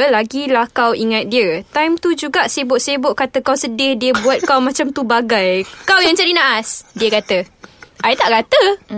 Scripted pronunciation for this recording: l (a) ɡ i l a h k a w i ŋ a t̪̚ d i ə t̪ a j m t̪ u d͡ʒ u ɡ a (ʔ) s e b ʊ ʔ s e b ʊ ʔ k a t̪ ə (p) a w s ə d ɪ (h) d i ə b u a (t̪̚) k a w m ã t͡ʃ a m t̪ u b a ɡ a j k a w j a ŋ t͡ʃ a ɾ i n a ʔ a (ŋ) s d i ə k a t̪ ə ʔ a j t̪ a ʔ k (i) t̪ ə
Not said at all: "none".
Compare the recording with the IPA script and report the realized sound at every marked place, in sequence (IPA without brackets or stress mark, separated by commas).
a, ʔ, k, h, t̪̚, none, a